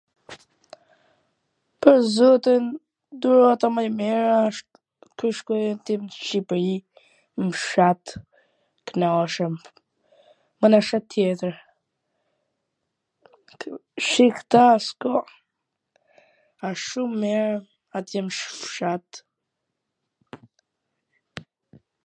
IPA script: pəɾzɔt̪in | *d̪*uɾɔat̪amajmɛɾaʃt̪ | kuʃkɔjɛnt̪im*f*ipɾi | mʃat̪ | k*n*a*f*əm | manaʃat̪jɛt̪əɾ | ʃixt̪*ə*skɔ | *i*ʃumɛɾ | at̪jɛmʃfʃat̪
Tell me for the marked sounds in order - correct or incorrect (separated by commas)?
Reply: correct, incorrect, correct, incorrect, incorrect, incorrect